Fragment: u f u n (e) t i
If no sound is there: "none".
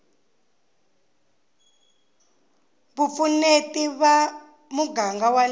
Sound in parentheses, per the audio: e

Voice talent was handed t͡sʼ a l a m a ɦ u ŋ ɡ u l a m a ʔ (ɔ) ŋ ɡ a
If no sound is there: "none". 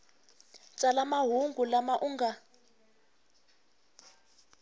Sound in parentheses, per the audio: u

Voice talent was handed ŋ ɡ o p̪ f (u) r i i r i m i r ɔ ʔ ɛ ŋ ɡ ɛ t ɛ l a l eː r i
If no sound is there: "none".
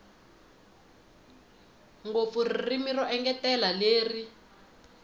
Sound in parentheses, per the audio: u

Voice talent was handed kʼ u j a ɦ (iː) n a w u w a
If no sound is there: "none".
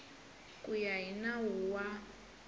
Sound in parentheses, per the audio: i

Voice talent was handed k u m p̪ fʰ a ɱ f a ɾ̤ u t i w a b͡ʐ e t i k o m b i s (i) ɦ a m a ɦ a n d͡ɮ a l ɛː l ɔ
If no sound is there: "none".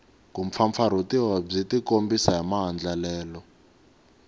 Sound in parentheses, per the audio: a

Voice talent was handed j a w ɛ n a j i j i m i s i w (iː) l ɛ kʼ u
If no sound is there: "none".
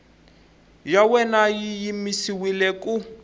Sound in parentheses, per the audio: i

